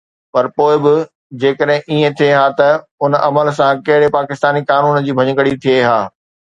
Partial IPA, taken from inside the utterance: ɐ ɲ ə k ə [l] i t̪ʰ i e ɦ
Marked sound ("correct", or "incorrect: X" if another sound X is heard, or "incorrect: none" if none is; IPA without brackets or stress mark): incorrect: ɽ